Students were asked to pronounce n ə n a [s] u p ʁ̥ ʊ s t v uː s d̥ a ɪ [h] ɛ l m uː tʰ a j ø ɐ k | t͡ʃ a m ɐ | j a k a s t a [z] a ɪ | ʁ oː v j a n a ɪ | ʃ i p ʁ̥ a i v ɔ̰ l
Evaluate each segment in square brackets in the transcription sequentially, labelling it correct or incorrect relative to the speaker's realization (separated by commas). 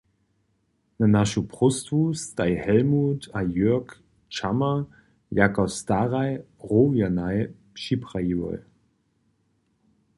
incorrect, correct, incorrect